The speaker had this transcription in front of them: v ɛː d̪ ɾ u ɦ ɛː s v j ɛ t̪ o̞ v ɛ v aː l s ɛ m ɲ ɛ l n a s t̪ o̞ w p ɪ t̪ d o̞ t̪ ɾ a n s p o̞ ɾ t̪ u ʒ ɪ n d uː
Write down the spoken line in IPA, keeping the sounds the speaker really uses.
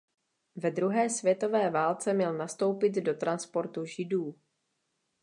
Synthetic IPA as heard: v ɛ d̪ ɾ u ɦ ɛː s v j ɛ t̪ o̞ v ɛː v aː l t͡s ɛ m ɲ ɛ l n a s t̪ o̞ w p ɪ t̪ d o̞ t̪ ɾ a n s p o̞ ɾ t̪ u ʒ ɪ d uː

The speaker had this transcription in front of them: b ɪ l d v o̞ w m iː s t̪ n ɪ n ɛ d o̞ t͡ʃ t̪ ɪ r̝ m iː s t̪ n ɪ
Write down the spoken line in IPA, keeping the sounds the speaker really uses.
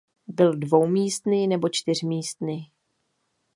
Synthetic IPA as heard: b ɪ l d v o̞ w m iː s t̪ n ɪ n ɛ b o̞ t͡ʃ t̪ ɪ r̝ m iː s t̪ n ɪ

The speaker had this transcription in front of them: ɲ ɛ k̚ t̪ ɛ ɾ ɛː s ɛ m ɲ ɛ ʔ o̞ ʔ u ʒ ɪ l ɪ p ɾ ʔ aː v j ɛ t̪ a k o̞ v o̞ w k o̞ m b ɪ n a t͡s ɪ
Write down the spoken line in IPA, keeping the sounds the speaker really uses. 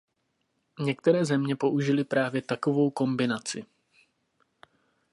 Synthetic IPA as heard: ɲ ɛ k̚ t̪ ɛ ɾ ɛː z ɛ m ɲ ɛ p o̞ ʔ u ʒ ɪ l ɪ p ɾ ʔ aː v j ɛ t̪ a k o̞ v o̞ w k o̞ m b ɪ n a t͡s ɪ

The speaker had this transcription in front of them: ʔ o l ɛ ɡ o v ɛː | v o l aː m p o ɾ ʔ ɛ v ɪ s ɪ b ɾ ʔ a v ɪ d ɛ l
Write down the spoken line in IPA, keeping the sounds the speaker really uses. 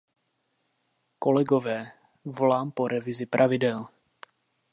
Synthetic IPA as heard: k o l ɛ ɡ o v ɛː | v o l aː m p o ɾ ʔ ɛ v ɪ z ɪ p ɾ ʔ a v ɪ d ɛ l

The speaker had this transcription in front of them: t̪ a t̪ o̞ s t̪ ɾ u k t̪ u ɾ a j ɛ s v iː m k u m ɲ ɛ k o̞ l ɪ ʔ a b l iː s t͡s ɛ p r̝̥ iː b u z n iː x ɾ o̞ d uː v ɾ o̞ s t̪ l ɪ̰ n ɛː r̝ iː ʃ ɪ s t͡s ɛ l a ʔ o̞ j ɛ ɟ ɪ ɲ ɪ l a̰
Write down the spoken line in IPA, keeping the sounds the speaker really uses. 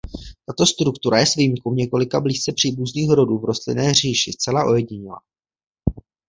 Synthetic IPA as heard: t̪ a t̪ o̞ s t̪ ɾ u k t̪ u ɾ a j ɛ s v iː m k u m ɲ ɛ k o̞ l ɪ k a b l iː s t͡s ɛ p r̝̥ iː b u z n iː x ɾ o̞ d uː v ɾ o̞ s t̪ l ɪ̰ n ɛː r̝ iː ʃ ɪ s t͡s ɛ l a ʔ o̞ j ɛ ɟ ɪ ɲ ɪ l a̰

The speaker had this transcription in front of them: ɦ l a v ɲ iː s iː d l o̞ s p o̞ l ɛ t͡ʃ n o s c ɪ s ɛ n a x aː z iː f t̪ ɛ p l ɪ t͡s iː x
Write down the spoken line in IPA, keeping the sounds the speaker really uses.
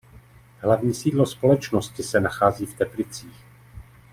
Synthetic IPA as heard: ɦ l a v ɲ iː s iː d l o̞ s p o̞ l ɛ t͡ʃ n o s c ɪ s ɛ n a x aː z iː f t̪ ɛ p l ɪ t͡s iː x

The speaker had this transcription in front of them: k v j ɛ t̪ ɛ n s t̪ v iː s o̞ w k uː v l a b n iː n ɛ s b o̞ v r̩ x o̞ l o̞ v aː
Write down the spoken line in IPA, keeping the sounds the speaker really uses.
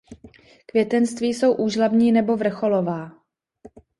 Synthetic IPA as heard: k v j ɛ t̪ ɛ n s t̪ v iː s o̞ w ʔ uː ʒ l a b ɲ iː n ɛ b o̞ v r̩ x o̞ l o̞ v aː

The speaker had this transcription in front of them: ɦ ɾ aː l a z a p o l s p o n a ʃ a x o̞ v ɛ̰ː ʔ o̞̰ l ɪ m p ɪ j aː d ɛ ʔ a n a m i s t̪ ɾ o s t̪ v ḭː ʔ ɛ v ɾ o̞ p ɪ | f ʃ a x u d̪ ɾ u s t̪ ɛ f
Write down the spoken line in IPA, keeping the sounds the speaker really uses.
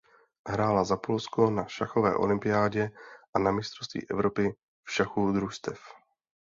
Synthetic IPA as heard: ɦ ɾ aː l a z a p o l s k o n a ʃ a x o̞ v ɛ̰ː ʔ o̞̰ l ɪ m p ɪ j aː ɟ ɛ ʔ a n a m ɪ s t̪ ɾ o s t̪ v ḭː ʔ ɛ v ɾ o̞ p ɪ | f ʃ a x u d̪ ɾ u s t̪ ɛ f

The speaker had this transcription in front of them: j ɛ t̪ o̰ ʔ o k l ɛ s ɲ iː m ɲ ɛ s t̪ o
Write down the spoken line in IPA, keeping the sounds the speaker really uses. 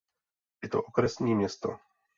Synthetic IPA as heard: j ɛ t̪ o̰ ʔ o k ɾ ɛ s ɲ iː m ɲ ɛ s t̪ o

